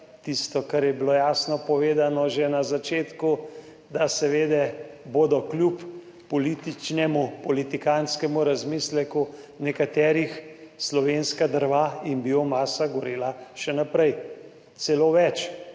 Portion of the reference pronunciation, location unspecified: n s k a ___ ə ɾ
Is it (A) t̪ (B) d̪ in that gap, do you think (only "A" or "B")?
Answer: B